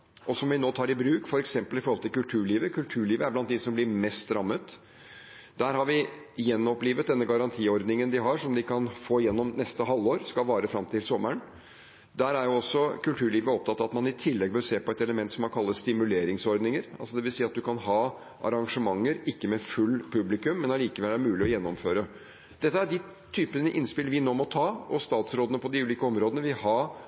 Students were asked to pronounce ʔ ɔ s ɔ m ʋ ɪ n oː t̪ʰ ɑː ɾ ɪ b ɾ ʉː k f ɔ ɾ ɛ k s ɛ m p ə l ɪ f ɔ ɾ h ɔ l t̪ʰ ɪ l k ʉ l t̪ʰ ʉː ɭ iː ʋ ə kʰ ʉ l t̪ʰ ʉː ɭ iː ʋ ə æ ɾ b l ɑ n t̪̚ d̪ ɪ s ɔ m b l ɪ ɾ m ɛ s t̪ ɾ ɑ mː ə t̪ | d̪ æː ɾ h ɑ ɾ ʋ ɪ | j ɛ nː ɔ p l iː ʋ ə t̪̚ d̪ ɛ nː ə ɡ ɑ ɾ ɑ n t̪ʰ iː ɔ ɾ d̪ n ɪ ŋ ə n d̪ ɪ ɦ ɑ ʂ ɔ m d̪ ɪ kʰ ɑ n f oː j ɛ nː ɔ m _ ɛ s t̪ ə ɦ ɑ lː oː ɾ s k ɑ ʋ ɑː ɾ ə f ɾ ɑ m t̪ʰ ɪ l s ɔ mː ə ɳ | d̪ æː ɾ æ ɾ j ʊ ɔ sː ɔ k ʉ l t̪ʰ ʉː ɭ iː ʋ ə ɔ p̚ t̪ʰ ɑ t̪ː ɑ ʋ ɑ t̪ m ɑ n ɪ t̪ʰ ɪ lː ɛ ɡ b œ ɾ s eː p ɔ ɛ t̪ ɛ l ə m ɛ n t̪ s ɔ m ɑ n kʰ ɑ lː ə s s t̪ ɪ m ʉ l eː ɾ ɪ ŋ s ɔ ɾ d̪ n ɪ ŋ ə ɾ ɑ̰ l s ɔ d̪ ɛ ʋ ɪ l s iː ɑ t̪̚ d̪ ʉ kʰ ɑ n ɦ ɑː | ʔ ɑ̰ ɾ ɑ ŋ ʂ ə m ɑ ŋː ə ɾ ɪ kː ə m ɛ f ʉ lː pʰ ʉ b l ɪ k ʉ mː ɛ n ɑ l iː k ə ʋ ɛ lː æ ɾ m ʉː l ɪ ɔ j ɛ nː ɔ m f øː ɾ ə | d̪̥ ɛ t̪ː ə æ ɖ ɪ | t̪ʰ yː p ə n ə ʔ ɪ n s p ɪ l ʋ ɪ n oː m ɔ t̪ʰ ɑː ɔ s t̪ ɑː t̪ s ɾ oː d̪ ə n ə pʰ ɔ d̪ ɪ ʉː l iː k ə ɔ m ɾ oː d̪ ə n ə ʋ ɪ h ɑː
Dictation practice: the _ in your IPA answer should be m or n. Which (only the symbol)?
n